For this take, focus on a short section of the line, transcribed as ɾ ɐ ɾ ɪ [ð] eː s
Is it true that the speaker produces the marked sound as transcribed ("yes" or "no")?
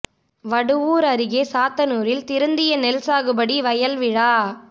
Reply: no